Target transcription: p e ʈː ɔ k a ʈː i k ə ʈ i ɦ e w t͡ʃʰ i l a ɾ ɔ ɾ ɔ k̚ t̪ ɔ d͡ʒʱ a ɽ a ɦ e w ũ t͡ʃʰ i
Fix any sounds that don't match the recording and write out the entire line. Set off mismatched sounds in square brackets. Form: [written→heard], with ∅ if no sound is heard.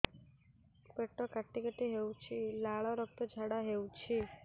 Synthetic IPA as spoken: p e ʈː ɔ k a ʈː i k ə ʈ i ɦ e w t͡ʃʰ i l a [ɾ→ɭ] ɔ ɾ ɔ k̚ t̪ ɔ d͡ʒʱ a ɽ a ɦ e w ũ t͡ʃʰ i